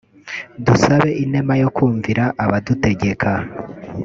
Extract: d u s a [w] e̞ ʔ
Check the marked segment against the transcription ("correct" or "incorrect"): incorrect